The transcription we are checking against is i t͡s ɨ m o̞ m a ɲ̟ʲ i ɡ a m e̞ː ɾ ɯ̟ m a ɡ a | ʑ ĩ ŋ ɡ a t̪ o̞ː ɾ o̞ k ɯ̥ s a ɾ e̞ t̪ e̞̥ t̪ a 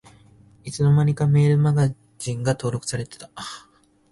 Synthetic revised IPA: i t͡s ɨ n o̞ m a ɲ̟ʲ i k a m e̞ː ɾ ɯ̟ m a ɡ a | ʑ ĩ ŋ ɡ a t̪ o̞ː ɾ o̞ k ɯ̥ s a ɾ e̞ t̪ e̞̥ t̪ a